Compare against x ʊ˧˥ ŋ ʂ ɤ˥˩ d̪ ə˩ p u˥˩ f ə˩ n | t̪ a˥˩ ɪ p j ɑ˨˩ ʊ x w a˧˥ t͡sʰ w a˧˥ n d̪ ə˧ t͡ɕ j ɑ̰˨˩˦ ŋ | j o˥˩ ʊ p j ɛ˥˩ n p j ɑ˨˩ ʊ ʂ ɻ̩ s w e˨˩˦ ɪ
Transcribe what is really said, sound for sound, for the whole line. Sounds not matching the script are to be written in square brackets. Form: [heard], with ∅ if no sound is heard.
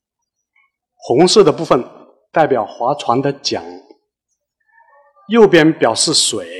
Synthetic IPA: x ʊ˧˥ ŋ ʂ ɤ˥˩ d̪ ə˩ p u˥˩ f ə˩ n | t̪ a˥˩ ɪ p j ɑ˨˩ ʊ x w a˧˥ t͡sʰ w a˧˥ n d̪ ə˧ t͡ɕ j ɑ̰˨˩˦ ŋ | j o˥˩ ʊ p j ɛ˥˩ n p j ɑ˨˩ ʊ ʂ ɻ̩ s w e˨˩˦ ɪ